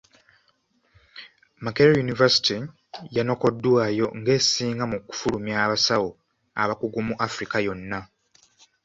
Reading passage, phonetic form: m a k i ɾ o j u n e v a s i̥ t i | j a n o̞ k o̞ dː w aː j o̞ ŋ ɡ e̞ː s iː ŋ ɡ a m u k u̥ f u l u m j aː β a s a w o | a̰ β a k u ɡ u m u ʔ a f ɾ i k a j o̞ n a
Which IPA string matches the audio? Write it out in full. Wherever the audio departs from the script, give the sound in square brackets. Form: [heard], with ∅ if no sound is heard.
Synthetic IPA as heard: m a k [e] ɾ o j u n [i] v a s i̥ t i | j a n o̞ k o̞ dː w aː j o̞ ŋ ɡ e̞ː s iː ŋ ɡ a m u k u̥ f u l u m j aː β a s a w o | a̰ β a k u ɡ u m u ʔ a f ɾ i k a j o̞ [nː] a